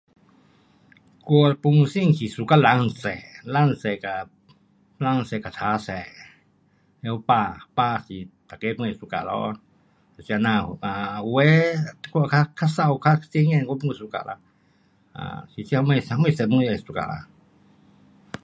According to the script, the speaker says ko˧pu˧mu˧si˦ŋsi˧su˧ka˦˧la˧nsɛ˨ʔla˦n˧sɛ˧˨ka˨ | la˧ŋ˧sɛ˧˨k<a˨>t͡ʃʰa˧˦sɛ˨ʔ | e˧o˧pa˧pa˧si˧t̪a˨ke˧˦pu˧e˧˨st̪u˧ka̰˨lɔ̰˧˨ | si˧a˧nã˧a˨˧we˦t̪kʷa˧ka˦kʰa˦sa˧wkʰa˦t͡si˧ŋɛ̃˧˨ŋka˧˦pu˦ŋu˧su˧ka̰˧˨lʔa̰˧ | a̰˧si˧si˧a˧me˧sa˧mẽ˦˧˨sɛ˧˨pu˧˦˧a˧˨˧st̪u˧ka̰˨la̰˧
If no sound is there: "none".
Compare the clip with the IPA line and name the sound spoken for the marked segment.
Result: a˨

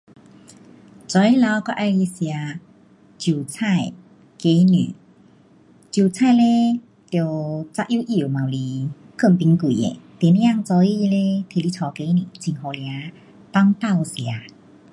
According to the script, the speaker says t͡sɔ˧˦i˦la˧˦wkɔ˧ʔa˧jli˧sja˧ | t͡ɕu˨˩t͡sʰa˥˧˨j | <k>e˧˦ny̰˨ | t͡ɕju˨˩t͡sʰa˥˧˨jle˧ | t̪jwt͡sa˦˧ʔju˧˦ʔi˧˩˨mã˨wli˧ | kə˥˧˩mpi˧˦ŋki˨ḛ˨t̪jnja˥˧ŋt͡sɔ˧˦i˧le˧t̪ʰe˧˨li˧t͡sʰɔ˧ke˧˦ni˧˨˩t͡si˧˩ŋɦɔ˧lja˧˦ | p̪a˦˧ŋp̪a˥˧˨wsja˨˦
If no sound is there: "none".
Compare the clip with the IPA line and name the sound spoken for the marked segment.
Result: k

